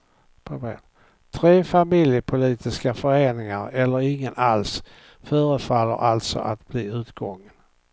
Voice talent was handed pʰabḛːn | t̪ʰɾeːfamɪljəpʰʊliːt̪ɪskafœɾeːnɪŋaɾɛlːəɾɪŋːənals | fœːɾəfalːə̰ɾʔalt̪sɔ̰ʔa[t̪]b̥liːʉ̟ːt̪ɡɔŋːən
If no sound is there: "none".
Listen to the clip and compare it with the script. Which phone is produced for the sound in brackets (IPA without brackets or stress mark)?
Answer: t̪